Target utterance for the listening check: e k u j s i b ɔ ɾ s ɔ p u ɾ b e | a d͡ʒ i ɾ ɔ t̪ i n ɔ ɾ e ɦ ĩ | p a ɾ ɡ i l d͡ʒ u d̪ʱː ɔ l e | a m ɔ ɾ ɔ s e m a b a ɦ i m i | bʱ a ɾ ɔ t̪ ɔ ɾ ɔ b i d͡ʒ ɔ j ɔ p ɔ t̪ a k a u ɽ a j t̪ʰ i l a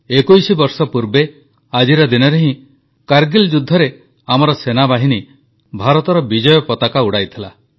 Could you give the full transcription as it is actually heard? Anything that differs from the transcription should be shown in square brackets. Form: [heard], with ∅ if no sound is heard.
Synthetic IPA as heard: e k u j s i b ɔ ɾ s ɔ p u ɾ b e | a d͡ʒ i ɾ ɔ [d̪] i n ɔ ɾ e ɦ ĩ | [k] a ɾ ɡ i l d͡ʒ u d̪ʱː ɔ [ɾ] e | a m ɔ ɾ ɔ s e [n] a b a ɦ i [n] i | bʱ a ɾ ɔ t̪ ɔ ɾ ɔ b i d͡ʒ ɔ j ɔ p ɔ t̪ a k a u ɽ a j t̪ʰ i l a